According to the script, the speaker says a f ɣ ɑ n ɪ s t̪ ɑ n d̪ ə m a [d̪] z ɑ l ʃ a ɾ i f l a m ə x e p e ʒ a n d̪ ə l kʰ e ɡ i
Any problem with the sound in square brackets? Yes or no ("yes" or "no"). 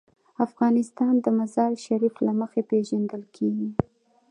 yes